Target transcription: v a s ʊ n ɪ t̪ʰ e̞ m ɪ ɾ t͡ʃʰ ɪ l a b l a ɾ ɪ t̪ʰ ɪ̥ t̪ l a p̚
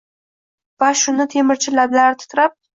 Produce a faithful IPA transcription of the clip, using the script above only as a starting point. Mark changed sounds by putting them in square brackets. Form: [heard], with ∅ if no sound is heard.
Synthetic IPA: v a [ʃ] ʊ n ɪ t̪ʰ e̞ m ɪ ɾ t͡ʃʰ ɪ l a b l a ɾ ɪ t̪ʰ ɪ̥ t̪ [ɾ] a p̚